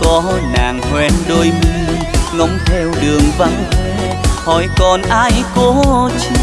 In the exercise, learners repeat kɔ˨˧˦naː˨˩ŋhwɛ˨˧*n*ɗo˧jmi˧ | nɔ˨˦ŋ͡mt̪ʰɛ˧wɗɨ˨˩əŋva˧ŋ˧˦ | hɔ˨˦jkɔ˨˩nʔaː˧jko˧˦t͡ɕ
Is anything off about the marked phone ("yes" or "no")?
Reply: no